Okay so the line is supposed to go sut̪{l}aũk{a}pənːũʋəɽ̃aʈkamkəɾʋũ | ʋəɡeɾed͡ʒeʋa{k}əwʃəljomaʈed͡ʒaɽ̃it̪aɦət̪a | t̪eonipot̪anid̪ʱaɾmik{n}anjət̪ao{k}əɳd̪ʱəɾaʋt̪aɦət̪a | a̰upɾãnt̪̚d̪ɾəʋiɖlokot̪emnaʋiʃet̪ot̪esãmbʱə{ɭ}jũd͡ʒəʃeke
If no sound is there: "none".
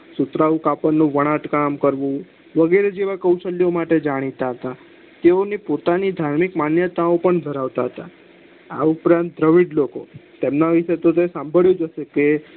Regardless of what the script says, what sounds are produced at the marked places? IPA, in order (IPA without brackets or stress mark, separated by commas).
ɾ, a, k, m, p, ɭ